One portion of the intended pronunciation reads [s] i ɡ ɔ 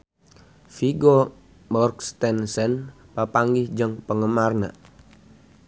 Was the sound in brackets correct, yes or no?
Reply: no